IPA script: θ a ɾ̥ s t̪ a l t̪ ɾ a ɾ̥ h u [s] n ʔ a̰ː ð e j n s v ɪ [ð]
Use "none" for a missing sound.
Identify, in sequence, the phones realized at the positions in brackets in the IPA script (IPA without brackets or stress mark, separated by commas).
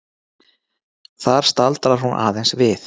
none, θ